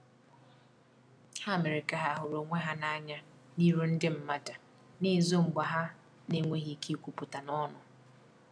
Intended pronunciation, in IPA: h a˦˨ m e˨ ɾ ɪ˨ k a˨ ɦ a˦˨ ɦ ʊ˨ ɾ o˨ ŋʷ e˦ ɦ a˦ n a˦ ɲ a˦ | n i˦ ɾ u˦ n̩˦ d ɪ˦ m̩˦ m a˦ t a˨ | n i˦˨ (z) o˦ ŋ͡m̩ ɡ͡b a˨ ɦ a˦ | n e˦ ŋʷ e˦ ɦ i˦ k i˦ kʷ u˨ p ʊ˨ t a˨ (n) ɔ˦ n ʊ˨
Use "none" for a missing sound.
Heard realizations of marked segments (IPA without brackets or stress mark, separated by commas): z, n